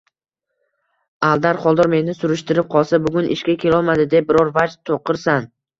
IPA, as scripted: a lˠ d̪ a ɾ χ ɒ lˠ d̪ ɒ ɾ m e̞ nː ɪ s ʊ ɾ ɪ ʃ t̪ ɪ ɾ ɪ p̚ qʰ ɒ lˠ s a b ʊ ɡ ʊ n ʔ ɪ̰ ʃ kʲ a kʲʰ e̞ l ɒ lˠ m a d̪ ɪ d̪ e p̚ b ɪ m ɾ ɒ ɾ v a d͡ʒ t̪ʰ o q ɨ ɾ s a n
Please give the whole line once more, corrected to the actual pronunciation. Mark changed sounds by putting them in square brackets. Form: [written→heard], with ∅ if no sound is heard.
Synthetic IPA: a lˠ d̪ a ɾ χ ɒ lˠ d̪ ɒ ɾ m e̞ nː ɪ s ʊ ɾ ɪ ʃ t̪ ɪ ɾ ɪ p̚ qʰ ɒ lˠ s a b ʊ ɡ ʊ n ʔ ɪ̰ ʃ kʲ a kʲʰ e̞ l ɒ lˠ m a d̪ ɪ d̪ e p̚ b ɪ [m→∅] ɾ ɒ ɾ v a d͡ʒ t̪ʰ o q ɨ ɾ s a n